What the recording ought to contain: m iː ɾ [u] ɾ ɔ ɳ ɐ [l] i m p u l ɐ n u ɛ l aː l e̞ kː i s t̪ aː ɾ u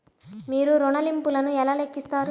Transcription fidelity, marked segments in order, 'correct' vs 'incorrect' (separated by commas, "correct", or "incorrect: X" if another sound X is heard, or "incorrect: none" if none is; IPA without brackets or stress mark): correct, correct